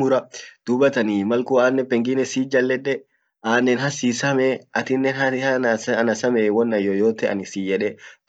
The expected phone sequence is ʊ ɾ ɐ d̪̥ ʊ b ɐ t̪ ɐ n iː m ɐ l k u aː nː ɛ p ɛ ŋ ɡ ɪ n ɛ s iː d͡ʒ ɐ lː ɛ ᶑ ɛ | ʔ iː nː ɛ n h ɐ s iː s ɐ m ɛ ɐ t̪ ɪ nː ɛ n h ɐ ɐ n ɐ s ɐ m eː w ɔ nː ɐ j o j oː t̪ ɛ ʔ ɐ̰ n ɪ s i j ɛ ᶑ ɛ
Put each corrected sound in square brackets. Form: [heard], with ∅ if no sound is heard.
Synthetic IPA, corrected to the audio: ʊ ɾ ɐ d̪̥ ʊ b ɐ t̪ ɐ n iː m ɐ l k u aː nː ɛ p ɛ ŋ ɡ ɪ n ɛ s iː d͡ʒ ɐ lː ɛ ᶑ ɛ | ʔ [aː] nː ɛ n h ɐ s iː s ɐ m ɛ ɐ t̪ ɪ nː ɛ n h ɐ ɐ n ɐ s ɐ m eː w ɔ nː ɐ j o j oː t̪ ɛ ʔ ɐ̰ n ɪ s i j ɛ ᶑ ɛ